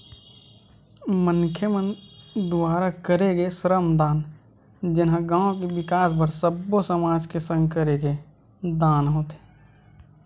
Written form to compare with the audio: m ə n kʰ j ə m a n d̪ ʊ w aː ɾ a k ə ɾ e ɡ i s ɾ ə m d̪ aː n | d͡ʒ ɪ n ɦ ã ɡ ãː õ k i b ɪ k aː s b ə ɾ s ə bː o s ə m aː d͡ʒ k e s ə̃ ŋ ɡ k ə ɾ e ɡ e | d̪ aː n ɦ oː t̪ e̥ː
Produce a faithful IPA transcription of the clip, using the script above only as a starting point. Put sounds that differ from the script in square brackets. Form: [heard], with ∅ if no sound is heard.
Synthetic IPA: m ə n kʰ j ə m [ə] n d̪ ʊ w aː ɾ a k ə ɾ e ɡ [e] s ɾ ə m d̪ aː n | d͡ʒ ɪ n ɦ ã ɡ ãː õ k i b ɪ k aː s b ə ɾ s ə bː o s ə m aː d͡ʒ k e s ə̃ ŋ ɡ k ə ɾ e ɡ e | d̪ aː n ɦ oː t̪ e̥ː